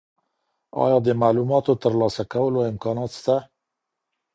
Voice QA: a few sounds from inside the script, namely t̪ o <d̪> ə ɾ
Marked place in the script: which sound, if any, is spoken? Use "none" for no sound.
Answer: t̪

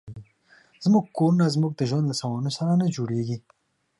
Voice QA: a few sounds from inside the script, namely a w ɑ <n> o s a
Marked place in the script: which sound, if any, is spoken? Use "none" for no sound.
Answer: n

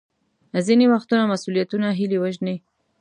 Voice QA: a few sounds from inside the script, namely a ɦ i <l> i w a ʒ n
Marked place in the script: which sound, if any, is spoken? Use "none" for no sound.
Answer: l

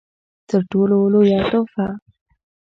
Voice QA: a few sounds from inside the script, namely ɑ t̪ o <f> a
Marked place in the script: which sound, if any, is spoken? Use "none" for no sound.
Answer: f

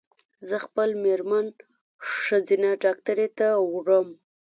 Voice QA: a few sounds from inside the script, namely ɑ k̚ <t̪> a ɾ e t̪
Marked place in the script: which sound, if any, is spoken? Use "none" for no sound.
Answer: t̪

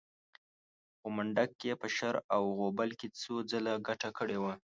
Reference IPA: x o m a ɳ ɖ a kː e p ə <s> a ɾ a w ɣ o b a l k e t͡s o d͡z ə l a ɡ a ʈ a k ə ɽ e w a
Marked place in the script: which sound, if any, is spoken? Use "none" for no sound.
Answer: ʃ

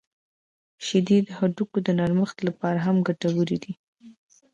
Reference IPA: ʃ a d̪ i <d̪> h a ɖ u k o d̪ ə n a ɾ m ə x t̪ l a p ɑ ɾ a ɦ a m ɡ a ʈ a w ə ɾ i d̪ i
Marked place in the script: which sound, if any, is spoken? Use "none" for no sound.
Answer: d̪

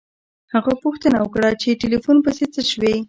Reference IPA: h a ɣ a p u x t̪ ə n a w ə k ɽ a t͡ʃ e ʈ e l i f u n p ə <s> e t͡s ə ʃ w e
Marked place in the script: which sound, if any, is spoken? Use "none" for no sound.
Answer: s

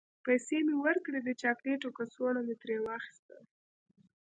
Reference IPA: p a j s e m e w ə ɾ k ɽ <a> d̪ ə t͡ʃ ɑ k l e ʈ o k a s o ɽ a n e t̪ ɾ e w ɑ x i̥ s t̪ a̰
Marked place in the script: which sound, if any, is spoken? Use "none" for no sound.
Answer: e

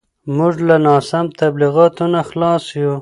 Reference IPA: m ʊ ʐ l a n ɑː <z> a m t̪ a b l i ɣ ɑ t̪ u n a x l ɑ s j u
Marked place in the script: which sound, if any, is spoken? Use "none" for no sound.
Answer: s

